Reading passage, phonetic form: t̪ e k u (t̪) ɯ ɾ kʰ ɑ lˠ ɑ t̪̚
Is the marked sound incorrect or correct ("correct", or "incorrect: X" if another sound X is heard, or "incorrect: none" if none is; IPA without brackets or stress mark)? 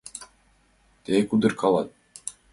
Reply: incorrect: d̪